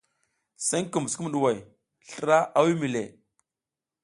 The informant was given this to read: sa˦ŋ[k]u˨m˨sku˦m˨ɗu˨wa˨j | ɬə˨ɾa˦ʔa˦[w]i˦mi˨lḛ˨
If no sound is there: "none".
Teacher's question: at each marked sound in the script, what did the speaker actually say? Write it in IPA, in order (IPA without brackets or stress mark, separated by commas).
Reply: k, w